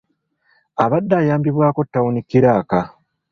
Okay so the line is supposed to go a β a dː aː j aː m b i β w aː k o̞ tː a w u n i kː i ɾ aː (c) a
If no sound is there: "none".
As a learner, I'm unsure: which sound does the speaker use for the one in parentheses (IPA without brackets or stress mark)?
k